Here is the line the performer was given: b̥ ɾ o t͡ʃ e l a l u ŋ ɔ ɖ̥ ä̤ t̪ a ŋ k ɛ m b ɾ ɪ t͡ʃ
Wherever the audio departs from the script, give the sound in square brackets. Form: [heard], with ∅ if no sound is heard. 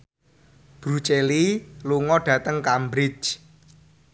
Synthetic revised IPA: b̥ ɾ [u] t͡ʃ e l [i] l u ŋ ɔ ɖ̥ ä̤ t̪ [ə] ŋ k [a] m b ɾ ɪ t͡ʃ